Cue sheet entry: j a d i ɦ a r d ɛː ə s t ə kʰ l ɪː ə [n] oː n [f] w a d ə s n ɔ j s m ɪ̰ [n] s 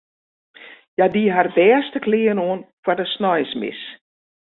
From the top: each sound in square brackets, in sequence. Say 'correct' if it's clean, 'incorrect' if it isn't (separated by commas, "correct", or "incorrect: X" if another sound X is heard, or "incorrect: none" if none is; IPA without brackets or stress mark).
correct, correct, incorrect: none